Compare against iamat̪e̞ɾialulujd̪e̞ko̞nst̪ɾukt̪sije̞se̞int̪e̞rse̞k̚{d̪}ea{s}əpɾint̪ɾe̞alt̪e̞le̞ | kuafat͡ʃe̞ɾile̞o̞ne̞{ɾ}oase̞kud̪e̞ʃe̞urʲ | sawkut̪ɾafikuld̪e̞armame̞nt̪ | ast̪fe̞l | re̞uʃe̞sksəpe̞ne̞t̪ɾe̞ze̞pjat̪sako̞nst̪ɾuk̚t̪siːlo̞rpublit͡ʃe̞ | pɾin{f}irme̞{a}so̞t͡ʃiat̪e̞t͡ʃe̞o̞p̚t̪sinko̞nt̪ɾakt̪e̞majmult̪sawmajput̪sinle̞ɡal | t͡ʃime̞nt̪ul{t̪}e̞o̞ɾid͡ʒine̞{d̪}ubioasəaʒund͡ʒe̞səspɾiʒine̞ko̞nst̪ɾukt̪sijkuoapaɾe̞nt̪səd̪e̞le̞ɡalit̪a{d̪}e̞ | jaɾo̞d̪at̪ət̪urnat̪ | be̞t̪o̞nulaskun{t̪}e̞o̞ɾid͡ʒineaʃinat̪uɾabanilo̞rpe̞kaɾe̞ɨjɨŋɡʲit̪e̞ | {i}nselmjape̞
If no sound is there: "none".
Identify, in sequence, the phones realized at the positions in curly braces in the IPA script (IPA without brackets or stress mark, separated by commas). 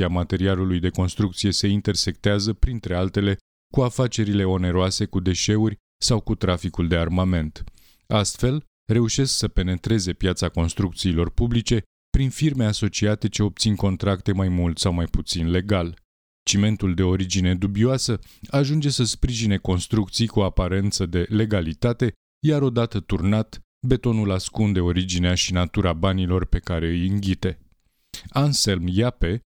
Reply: t̪, z, ɾ, f, a, d̪, d̪, t̪, d̪, a